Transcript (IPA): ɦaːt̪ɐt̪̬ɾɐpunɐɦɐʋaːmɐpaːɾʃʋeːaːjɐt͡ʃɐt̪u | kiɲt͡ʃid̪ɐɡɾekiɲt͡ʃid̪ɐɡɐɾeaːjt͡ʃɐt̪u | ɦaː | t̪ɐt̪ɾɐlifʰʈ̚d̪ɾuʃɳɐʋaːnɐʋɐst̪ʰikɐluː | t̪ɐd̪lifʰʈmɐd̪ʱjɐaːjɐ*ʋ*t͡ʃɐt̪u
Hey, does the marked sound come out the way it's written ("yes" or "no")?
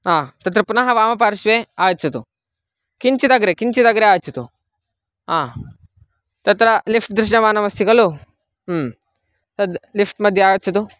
no